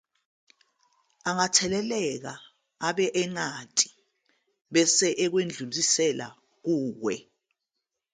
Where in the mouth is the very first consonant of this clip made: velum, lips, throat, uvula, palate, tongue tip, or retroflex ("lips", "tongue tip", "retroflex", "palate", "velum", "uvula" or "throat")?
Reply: velum